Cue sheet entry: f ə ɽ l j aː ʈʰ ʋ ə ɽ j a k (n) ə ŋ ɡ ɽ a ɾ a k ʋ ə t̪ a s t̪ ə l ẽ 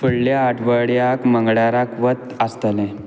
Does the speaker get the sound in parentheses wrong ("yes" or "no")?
yes